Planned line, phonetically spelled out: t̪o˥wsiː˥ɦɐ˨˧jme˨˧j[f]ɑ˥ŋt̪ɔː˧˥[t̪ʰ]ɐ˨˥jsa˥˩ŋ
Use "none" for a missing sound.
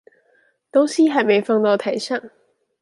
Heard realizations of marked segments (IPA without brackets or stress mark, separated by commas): f, t̪ʰ